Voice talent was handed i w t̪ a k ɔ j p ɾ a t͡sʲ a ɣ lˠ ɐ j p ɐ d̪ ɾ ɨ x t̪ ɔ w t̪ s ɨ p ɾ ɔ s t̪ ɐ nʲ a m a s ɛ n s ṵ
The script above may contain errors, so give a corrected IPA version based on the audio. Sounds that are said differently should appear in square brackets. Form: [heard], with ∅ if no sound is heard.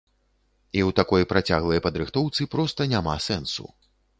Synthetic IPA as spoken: i w t̪ a k ɔ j p ɾ a t͡sʲ a ɣ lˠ ɐ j p ɐ d̪ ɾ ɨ x t̪ ɔ w t̪ s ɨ p ɾ ɔ s t̪ ɐ nʲ a m a s ɛ n s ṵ